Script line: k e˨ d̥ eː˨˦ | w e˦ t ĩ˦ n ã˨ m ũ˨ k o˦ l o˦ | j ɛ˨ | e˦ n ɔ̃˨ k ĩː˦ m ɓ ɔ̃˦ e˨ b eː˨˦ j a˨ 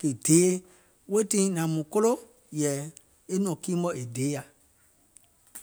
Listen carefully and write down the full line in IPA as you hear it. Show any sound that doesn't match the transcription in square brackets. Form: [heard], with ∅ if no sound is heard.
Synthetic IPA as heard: k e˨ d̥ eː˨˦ | w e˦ t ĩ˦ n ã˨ m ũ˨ k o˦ l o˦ | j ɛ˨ | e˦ n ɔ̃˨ k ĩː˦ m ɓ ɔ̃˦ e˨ [d] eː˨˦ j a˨